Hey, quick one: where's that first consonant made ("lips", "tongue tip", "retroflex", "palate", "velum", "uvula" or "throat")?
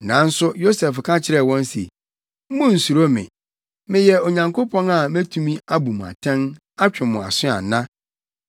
tongue tip